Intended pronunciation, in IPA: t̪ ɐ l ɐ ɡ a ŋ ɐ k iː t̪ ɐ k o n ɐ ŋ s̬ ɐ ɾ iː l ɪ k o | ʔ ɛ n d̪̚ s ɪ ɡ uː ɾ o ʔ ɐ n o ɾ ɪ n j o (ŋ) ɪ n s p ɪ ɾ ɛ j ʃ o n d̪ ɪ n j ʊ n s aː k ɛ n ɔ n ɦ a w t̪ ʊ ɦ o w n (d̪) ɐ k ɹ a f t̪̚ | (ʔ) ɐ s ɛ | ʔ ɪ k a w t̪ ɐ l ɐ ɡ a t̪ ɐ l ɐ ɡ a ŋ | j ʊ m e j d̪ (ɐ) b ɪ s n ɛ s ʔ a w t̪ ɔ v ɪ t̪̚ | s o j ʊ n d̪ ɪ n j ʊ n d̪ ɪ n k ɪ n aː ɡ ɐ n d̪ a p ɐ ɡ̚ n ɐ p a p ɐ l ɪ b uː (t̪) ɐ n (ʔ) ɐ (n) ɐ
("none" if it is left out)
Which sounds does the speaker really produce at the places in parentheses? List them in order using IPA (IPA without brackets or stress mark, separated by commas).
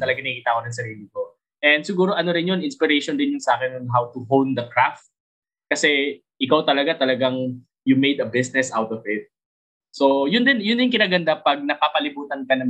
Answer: n, d̪, k, ɐ, t̪, k, n